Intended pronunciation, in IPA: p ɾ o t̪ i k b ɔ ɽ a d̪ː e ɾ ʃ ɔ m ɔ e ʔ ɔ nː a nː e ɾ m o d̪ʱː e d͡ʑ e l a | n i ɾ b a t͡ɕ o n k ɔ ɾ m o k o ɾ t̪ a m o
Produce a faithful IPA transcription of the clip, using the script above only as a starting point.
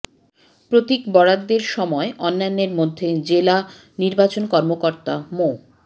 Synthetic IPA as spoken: p ɾ o t̪ i k b ɔ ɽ a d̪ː e ɾ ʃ ɔ m ɔ e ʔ ɔ nː a nː e ɾ m o d̪ʱː e d͡ʑ e l a | n i ɾ b a t͡ɕ o n k ɔ ɾ m o k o ɾ t̪ a m o

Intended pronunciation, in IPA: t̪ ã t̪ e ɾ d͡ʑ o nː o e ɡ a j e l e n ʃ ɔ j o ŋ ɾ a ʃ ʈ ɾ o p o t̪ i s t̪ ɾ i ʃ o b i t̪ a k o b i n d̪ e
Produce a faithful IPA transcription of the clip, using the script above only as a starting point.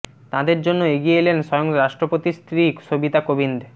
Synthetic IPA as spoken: t̪ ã d̪ e ɾ d͡ʑ o nː o e ɡ i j e l e n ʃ ɔ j o ŋ ɾ a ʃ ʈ ɾ o p o t̪ i s t̪ ɾ i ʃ o b i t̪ a k o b i n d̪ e

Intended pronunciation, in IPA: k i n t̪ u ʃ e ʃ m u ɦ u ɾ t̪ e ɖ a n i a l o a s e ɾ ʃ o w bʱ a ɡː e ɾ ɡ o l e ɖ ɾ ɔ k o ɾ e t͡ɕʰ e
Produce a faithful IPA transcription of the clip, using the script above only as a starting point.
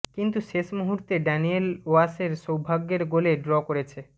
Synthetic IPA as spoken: k i n t̪ u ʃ e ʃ m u ɦ u ɾ t̪ e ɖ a n i e l o a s e ɾ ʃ o w bʱ a ɡː e ɾ ɡ o l e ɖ ɾ ɔ k o ɾ e t͡ɕʰ e

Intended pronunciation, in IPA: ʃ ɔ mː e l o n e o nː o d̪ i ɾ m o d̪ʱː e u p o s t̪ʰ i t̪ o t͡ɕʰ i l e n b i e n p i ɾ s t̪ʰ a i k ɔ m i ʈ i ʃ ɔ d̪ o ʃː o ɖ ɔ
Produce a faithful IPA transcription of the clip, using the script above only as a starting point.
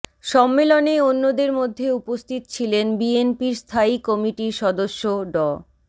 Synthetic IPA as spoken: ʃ ɔ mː e l o n e o nː o d̪ e ɾ m o d̪ʱː e u p o s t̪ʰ i t̪ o t͡ɕʰ i l e n b i e n p i ɾ s t̪ʰ a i k ɔ m i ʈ i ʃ ɔ d̪ o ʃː o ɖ ɔ

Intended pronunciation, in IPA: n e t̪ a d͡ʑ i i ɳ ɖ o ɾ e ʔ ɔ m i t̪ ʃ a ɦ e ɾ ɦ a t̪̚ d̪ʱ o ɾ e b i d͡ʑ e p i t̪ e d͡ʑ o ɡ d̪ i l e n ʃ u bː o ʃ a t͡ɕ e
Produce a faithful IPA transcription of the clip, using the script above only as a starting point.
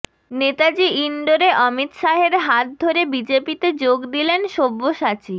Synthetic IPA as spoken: n e t̪ a d͡ʑ i i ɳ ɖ o ɾ e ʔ ɔ m i t̪ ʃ a ɦ e ɾ ɦ a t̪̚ d̪ʱ o ɾ e b i d͡ʑ e p i t̪ e d͡ʑ o ɡ d̪ i l e n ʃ o bː o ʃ a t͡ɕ i

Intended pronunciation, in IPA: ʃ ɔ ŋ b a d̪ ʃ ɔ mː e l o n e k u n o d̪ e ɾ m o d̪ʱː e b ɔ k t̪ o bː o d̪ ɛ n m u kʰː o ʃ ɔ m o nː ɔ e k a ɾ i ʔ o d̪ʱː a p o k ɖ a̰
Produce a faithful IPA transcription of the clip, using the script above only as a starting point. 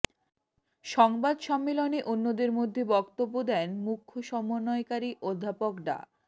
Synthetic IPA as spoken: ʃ ɔ ŋ b a d̪ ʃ ɔ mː e l o n e ʔ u nː o d̪ e ɾ m o d̪ʱː e b ɔ k t̪ o bː o d̪ ɛ n m u kʰː o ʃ ɔ m o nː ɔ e k a ɾ i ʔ o d̪ʱː a p o k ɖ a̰

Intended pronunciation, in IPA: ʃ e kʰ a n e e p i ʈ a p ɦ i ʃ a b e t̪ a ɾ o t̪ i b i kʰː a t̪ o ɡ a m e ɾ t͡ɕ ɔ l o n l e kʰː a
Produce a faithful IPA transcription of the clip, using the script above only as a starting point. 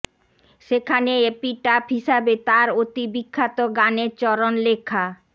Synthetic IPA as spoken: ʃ e kʰ a n e e p i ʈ a p ɦ i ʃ a b e t̪ a ɾ o t̪ i b i kʰː a t̪ o ɡ a n e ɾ t͡ɕ ɔ ɾ o n l e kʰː a

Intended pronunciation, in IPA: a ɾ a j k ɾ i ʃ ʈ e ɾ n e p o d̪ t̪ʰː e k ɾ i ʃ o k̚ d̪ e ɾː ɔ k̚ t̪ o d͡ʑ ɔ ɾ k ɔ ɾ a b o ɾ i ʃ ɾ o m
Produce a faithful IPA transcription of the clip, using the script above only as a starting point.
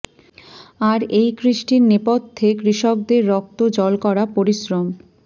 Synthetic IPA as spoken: a ɾ e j k ɾ i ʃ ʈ i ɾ n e p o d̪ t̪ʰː e k ɾ i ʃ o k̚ d̪ e ɾː ɔ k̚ t̪ o d͡ʑ ɔ l k ɔ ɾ a p o ɾ i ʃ ɾ o m

